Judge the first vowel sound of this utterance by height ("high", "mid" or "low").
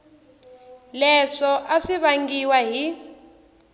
mid